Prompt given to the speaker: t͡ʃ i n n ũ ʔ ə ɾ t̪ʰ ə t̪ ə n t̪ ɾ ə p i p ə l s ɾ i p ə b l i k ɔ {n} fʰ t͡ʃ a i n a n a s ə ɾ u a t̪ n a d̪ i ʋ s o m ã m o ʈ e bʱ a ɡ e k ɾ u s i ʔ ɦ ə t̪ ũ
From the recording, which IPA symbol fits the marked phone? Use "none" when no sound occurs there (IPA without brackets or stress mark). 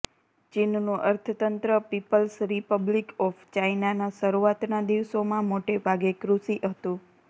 none